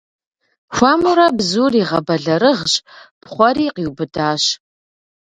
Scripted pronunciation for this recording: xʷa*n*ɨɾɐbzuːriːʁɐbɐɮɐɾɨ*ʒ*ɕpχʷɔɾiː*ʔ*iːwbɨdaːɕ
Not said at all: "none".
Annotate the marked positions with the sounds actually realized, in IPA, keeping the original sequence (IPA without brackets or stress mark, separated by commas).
m, ʁ, q